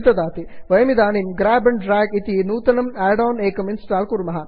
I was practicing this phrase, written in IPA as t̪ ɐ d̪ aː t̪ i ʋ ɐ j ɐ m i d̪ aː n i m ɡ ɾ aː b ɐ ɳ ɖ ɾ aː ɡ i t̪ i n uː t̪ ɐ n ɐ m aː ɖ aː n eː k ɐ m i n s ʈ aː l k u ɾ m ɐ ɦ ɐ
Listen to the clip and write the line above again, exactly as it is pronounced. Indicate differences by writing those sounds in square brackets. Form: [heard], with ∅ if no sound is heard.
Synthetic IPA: t̪ ɐ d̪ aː t̪ i ʋ ɐ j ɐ m i d̪ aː n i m ɡ ɾ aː b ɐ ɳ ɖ ɾ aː ɡ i t̪ i n uː t̪ ɐ n ɐ m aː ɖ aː n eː k ɐ m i n s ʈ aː l k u ɾ m ɐ ɦ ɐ